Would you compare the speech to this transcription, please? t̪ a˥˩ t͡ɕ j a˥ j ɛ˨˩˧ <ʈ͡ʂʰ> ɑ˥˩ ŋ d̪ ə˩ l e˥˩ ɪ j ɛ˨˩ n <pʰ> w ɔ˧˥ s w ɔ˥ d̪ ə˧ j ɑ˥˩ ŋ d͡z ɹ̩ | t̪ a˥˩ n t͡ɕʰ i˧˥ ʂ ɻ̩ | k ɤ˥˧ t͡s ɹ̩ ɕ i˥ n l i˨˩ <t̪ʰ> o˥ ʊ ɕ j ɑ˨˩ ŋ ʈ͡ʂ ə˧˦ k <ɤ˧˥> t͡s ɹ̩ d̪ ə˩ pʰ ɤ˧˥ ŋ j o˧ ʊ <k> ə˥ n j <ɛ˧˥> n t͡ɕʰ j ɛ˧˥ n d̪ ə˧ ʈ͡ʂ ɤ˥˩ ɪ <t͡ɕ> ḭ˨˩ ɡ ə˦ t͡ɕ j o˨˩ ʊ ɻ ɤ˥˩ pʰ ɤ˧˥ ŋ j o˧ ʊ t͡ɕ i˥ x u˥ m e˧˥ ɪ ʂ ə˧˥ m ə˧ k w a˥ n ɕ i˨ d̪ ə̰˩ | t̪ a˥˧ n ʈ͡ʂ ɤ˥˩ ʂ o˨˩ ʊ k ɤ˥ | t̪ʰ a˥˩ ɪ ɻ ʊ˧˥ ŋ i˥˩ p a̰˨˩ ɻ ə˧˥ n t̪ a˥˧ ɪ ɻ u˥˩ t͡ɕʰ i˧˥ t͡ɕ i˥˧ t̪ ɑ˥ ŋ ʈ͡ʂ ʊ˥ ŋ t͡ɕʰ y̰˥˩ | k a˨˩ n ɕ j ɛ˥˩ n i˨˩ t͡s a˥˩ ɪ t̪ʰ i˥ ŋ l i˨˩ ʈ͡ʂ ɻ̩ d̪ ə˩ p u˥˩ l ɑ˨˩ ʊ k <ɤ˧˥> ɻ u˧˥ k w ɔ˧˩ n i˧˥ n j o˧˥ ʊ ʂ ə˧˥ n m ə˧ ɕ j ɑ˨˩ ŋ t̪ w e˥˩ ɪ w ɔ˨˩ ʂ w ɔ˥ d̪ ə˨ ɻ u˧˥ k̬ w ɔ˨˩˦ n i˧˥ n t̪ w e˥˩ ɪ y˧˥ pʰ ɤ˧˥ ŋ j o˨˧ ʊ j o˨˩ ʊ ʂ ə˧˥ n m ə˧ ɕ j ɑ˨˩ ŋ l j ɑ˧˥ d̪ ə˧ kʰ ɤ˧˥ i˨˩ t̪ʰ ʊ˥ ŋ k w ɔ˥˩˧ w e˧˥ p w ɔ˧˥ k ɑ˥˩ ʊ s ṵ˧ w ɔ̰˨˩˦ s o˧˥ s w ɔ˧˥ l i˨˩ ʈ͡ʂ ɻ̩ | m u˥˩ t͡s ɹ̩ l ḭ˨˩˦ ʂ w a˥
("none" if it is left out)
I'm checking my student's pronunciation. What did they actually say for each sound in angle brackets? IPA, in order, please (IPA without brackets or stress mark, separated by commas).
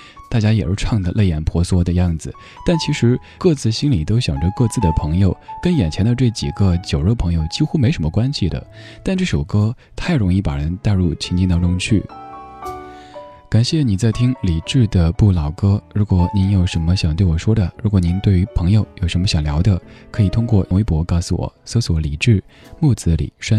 ʈ͡ʂʰ, pʰ, t̪, ɤ˥˧, k, ɛ˨˩, t͡ɕ, ɤ˥